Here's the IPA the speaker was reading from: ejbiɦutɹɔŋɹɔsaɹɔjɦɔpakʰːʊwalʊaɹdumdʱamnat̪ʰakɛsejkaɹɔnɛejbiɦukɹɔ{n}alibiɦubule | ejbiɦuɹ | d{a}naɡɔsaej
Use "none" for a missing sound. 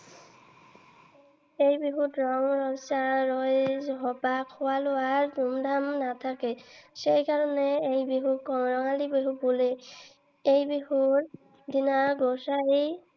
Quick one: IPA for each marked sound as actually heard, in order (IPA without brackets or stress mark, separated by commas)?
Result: ŋ, i